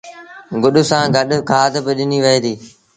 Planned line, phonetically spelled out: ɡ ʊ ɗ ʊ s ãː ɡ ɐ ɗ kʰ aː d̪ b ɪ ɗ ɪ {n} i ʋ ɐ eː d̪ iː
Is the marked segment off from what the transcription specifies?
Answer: no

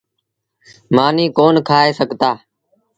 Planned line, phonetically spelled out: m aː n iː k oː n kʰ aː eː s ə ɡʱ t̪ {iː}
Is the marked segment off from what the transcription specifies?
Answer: yes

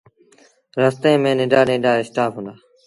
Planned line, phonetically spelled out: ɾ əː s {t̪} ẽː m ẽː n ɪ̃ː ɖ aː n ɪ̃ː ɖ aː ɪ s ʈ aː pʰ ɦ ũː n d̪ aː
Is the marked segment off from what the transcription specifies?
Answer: no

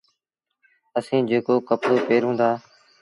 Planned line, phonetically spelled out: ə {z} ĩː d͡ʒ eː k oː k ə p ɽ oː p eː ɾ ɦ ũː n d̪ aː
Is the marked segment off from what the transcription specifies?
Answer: yes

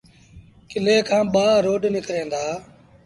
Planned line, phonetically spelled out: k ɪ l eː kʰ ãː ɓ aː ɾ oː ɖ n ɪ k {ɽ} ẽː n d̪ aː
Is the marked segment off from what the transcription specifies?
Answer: yes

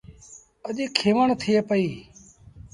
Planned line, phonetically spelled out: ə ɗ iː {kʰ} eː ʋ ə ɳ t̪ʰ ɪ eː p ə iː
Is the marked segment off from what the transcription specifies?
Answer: no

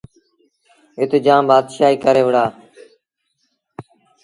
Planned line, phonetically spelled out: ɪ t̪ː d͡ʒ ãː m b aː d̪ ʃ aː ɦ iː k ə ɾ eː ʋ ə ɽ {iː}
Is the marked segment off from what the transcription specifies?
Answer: yes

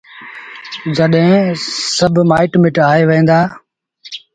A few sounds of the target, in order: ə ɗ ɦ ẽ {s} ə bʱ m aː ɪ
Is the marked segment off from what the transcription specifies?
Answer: no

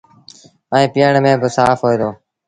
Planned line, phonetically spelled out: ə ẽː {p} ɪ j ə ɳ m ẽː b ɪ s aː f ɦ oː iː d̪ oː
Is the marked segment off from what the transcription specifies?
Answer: no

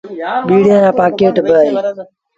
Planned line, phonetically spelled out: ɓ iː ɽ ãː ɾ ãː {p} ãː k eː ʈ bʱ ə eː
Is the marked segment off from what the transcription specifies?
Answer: no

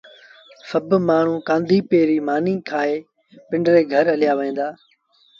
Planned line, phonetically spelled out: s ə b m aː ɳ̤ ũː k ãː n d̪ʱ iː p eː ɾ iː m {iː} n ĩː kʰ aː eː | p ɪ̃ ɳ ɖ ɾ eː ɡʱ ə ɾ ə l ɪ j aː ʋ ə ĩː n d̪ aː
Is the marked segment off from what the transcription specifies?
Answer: yes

